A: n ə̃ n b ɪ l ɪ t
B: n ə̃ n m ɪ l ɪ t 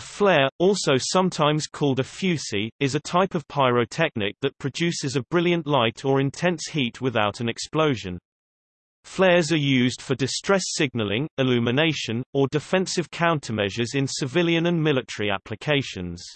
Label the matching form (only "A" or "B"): B